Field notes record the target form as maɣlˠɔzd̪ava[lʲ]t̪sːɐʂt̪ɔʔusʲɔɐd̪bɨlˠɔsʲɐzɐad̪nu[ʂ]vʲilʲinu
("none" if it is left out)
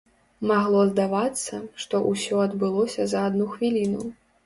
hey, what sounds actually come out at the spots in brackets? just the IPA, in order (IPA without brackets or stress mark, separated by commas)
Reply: none, x